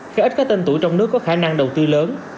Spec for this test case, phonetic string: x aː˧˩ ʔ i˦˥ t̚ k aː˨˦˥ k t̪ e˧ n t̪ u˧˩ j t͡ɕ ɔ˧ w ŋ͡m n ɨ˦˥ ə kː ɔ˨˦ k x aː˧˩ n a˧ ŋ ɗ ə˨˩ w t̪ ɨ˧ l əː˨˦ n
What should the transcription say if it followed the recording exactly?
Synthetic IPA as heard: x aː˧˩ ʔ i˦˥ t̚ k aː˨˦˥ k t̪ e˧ n t̪ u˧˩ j t͡ɕ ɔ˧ w ŋ͡m n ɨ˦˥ ə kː ɔ˨˦ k x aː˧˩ n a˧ ŋ ɗ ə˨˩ w t̪ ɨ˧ l əː˨˦ n